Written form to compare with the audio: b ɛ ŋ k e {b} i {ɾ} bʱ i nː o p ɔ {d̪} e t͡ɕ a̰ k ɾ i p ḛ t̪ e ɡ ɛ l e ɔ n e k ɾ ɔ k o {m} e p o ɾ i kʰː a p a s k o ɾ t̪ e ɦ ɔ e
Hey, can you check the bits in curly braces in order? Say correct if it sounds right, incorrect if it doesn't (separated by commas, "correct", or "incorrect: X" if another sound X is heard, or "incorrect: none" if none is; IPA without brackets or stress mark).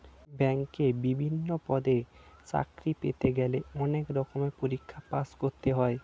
correct, incorrect: none, correct, correct